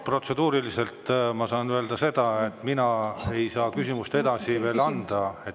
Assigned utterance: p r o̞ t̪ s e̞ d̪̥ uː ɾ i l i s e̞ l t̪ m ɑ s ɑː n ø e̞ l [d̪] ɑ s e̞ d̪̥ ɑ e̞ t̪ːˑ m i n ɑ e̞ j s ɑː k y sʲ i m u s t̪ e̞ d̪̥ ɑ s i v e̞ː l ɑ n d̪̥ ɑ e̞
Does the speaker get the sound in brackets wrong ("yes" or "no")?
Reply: no